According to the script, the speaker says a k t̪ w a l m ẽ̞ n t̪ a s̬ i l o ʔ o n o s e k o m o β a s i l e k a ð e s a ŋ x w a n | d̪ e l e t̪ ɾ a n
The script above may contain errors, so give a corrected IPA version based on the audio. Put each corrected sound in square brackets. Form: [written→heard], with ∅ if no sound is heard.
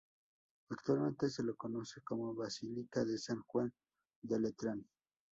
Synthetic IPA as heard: a k t̪ w a l m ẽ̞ n t̪ [a→e] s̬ [i→e] l o [ʔ→k] o n o s e k o m o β a s i l [e→i] k a ð e s a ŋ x w a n | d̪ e l e t̪ ɾ a n